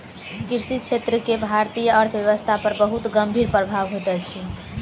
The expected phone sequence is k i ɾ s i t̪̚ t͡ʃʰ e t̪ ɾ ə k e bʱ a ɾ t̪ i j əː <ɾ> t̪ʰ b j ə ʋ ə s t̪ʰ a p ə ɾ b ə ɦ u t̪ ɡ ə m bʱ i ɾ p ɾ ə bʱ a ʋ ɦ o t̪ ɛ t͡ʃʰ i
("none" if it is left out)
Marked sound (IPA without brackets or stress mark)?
ɾ